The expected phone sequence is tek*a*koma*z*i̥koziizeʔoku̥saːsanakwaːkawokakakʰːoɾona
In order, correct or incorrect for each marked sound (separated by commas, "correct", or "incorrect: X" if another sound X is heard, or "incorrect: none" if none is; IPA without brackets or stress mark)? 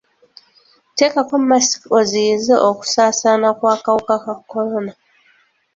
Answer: correct, incorrect: s